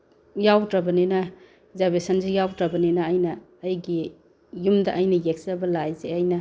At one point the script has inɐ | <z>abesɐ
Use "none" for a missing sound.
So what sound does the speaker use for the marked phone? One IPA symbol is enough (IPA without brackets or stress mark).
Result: z